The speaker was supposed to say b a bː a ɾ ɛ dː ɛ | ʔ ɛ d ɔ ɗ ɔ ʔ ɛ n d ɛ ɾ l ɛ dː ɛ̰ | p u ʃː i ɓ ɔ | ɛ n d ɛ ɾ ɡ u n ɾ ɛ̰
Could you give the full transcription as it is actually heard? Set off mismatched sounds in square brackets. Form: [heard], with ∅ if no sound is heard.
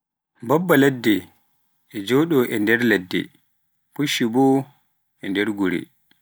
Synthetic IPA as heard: b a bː a [l] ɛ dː ɛ | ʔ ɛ [d͡ʒ] ɔ ɗ ɔ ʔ ɛ n d ɛ ɾ l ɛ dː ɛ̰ | p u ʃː i [b] ɔ | ɛ n d ɛ ɾ ɡ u [∅] ɾ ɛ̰